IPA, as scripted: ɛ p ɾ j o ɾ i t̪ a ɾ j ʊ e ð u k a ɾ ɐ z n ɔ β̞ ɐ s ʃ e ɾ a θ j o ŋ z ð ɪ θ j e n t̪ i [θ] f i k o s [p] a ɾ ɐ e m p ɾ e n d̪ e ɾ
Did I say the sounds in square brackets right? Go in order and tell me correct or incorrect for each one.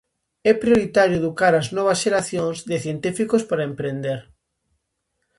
incorrect: none, correct

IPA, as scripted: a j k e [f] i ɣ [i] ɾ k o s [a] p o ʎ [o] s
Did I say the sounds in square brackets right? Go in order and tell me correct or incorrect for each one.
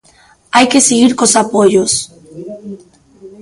incorrect: s, correct, correct, correct

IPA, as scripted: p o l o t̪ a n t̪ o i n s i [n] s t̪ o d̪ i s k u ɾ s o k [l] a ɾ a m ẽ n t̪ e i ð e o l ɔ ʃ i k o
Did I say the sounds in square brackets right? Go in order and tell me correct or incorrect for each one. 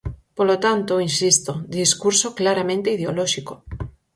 incorrect: none, correct

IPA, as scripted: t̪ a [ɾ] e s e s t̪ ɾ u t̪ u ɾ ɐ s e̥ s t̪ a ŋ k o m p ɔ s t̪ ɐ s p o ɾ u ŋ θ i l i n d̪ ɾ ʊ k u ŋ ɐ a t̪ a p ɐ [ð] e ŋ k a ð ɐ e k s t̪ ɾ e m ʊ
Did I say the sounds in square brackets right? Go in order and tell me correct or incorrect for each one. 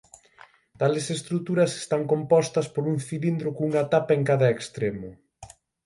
incorrect: l, incorrect: none

